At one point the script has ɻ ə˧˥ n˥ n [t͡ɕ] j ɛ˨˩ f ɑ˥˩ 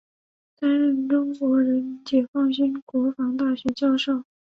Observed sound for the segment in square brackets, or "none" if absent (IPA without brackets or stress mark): t͡ɕ